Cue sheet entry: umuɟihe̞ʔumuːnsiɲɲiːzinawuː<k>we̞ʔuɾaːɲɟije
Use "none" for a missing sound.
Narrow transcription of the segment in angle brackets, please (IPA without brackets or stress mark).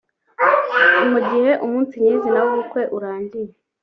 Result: k